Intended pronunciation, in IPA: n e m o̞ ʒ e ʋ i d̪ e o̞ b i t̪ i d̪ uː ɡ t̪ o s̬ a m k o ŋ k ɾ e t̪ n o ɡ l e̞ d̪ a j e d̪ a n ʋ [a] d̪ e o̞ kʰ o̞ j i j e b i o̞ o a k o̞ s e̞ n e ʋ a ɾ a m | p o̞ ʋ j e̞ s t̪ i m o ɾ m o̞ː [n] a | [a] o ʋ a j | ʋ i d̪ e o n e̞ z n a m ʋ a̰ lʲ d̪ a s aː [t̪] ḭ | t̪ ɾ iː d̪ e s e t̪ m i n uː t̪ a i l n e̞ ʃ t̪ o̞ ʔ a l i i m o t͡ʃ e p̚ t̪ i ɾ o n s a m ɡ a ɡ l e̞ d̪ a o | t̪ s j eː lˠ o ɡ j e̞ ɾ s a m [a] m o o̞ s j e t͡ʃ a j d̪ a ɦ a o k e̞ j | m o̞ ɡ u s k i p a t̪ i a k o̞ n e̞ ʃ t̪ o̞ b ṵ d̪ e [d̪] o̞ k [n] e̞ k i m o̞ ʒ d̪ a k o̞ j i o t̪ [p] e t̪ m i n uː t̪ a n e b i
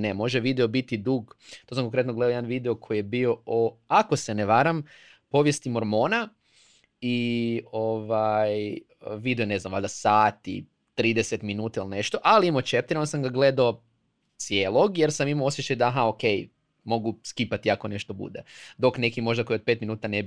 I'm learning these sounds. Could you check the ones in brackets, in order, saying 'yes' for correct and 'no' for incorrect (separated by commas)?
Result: no, yes, no, yes, no, yes, yes, yes